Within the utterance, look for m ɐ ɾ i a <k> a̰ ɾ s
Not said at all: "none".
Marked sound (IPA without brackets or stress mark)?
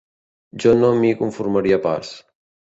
p